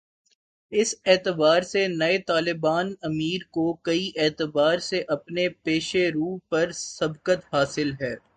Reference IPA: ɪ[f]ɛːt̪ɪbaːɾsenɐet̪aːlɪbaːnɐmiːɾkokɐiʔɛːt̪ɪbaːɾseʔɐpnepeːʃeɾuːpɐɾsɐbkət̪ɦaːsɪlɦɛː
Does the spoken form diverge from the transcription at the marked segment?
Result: yes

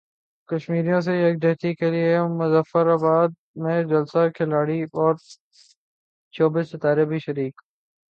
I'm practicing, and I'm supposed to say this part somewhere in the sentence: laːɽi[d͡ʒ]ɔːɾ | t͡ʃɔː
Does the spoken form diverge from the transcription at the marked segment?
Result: yes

